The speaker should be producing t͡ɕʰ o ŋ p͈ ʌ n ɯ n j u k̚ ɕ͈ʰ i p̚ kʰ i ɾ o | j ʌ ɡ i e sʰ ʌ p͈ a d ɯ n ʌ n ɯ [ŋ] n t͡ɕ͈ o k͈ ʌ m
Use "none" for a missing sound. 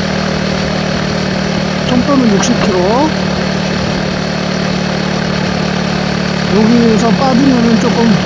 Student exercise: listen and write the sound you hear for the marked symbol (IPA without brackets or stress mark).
none